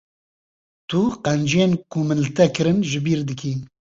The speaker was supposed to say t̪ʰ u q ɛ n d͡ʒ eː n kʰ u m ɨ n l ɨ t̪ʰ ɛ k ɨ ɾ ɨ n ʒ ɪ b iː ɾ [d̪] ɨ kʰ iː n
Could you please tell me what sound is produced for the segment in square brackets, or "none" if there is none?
d̪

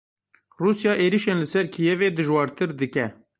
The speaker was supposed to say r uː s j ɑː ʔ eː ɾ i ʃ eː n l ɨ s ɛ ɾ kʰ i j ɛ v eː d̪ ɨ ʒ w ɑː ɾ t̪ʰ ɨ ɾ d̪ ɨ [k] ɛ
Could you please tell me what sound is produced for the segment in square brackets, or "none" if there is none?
k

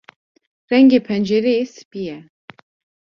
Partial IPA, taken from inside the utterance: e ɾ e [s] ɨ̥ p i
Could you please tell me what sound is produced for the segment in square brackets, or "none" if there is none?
s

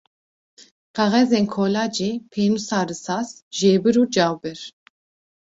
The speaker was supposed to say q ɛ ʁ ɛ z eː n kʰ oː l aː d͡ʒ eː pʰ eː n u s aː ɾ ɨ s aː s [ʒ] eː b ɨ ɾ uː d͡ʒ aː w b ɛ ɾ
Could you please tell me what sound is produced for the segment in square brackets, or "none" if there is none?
ʒ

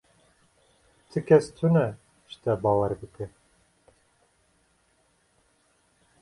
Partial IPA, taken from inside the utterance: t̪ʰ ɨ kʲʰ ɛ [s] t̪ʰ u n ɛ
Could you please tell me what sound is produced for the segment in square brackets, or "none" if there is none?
s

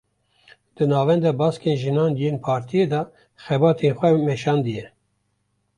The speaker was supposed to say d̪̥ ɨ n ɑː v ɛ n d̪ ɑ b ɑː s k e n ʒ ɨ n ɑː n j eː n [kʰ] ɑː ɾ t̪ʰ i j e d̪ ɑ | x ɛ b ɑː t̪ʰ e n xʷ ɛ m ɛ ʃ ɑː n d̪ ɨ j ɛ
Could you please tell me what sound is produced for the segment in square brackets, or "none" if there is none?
pʰ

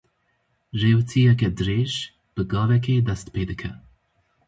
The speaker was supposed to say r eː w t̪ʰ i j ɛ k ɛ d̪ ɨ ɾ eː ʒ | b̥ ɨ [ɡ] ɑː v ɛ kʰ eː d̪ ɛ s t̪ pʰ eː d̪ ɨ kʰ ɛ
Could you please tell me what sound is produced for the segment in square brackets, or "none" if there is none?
ɡ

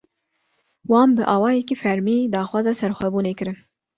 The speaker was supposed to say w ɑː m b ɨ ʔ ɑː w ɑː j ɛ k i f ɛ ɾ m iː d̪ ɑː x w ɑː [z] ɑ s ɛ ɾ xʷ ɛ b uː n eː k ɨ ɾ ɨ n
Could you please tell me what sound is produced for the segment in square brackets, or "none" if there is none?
z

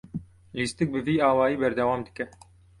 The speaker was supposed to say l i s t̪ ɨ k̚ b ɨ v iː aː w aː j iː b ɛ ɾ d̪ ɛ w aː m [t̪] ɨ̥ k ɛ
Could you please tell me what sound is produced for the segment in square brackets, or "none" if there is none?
d̪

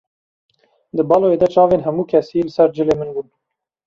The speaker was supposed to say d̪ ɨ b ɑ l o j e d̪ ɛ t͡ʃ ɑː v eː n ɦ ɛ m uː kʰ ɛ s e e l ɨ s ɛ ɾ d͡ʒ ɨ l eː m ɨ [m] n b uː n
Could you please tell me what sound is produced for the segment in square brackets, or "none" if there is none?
none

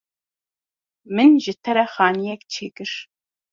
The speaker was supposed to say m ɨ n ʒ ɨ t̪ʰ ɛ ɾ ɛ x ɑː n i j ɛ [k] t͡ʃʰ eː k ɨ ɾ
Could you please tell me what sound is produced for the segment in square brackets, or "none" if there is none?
k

